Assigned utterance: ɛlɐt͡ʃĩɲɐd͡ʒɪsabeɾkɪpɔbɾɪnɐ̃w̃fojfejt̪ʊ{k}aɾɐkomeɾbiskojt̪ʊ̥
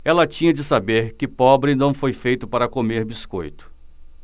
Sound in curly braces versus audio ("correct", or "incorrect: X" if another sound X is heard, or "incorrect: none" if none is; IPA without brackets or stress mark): incorrect: p